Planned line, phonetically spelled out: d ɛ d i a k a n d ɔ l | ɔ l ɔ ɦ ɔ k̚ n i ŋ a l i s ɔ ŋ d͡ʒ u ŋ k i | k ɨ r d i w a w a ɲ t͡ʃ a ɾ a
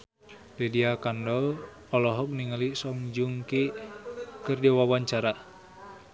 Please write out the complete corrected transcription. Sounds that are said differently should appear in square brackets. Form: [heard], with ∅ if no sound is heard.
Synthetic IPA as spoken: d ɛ d i a k a n d ɔ l | ɔ l ɔ ɦ ɔ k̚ n i ŋ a l i s ɔ ŋ d͡ʒ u ŋ k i | k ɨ r d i w a w a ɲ t͡ʃ a ɾ a